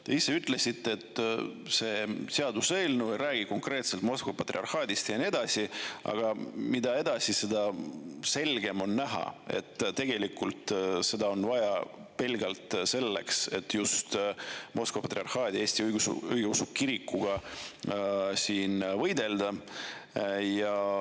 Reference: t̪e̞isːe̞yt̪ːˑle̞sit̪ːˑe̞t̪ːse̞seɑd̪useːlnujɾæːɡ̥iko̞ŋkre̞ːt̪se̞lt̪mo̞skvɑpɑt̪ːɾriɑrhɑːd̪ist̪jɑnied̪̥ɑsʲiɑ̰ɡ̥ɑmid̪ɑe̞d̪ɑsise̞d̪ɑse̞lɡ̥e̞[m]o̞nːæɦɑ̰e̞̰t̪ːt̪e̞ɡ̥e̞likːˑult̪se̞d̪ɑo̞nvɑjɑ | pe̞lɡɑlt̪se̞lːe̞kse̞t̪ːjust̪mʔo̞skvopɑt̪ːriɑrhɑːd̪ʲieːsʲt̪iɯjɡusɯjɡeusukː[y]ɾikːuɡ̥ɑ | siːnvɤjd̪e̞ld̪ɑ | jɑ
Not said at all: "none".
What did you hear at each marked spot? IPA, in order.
m, i

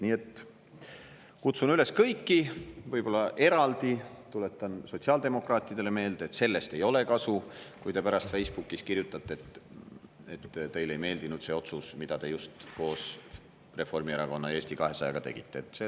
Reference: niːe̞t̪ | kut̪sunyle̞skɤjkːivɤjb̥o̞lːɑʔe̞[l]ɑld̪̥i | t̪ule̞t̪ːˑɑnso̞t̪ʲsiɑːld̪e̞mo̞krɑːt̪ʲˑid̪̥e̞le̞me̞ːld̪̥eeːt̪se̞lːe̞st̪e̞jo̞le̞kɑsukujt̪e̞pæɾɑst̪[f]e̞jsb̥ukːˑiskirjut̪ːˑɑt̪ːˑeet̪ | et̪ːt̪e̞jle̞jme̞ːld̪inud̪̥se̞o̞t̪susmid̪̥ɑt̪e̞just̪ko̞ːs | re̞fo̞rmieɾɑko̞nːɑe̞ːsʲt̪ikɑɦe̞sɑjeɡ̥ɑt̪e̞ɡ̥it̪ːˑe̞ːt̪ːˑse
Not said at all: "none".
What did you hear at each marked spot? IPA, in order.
ɾ, f

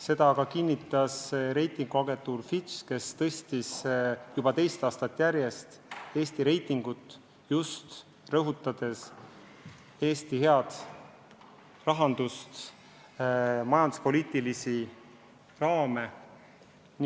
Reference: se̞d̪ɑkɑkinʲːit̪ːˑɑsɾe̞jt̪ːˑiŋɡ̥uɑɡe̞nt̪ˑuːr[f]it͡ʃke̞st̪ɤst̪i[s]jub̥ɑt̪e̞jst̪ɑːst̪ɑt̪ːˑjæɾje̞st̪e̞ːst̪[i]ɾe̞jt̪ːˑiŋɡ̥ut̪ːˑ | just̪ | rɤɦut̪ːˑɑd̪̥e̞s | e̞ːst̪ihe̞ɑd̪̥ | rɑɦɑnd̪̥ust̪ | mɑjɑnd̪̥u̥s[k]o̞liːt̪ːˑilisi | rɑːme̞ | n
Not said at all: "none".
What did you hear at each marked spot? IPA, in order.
f, s, i, p

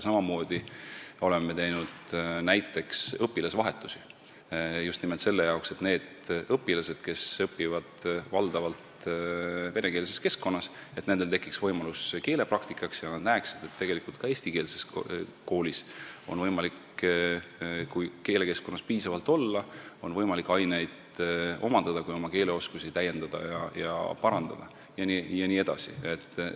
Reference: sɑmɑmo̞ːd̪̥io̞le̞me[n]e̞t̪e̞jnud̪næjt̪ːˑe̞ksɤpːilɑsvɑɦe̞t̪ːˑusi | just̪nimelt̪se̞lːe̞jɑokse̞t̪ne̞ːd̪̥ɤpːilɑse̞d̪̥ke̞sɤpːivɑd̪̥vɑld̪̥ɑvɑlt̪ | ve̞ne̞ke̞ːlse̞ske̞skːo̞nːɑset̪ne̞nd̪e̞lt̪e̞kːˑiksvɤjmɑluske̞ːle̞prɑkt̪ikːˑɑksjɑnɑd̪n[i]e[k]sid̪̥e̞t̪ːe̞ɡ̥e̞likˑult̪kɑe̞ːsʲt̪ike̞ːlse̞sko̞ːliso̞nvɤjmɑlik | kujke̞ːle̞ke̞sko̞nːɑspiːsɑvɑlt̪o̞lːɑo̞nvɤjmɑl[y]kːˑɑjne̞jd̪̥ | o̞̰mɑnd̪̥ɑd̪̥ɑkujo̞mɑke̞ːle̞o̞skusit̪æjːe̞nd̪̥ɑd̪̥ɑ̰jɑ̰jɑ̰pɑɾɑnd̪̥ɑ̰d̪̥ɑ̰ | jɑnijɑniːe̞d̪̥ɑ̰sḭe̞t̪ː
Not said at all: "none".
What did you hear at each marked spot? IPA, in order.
m, æ, k, i

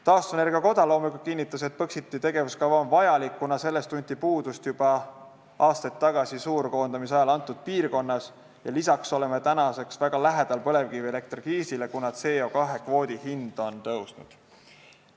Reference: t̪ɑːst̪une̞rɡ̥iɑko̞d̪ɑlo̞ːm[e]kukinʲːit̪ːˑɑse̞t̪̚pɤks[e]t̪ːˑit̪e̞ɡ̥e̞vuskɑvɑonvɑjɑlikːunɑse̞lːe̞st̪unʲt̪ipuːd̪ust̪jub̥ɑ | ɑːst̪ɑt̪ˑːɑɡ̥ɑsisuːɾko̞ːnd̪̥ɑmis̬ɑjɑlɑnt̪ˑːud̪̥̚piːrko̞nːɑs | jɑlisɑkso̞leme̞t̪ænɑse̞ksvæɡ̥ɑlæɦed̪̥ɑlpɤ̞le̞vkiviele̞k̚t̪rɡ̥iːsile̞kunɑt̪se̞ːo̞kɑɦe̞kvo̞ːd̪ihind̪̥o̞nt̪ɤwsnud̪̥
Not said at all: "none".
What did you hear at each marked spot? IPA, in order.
i, i

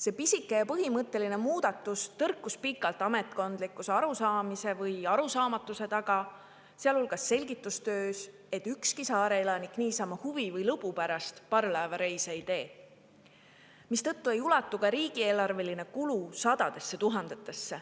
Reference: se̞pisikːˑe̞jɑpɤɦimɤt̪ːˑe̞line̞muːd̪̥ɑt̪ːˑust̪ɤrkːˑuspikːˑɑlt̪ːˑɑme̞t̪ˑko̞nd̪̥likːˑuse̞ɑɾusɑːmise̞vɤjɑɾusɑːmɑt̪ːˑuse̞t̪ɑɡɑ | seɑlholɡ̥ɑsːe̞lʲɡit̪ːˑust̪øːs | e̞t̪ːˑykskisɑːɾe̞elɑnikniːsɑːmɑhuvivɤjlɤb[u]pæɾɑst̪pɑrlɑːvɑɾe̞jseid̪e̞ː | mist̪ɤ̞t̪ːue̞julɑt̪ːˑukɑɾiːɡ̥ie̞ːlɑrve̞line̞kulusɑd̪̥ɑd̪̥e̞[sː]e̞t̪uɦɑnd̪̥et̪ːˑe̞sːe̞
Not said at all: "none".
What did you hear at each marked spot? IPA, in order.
u, sː

